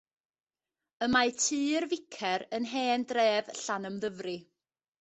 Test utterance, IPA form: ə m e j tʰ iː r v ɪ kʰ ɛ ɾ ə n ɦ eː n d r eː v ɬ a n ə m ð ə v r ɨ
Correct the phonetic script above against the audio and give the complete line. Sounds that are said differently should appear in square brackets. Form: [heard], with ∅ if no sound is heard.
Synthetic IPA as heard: ə m [a] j tʰ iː r v ɪ kʰ ɛ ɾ ə n ɦ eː n d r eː v ɬ a n ə m ð ə v r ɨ

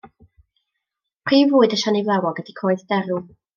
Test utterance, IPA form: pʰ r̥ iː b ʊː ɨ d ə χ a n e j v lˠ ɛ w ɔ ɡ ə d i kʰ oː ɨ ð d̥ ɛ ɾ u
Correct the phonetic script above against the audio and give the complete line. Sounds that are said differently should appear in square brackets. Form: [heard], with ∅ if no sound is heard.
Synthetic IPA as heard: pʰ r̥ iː [v] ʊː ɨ d ə [ʃ] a n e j v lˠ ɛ w ɔ ɡ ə d i kʰ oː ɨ ð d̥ ɛ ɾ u

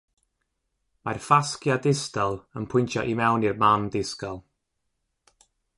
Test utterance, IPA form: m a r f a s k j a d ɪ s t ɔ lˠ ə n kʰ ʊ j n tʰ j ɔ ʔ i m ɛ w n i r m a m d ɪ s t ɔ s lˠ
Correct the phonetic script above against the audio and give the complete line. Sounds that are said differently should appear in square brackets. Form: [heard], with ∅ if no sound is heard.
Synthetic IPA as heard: m a r f a s k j a d ɪ s t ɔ lˠ ə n [pʰ] ʊ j n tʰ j ɔ ʔ i m ɛ w n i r m a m d ɪ s [k] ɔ [∅] lˠ

